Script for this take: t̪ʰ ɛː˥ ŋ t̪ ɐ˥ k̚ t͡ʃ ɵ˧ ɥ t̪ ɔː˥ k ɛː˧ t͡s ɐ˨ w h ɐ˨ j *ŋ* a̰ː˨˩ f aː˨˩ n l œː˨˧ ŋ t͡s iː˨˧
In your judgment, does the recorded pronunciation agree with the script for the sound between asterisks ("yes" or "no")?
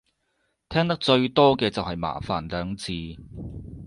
no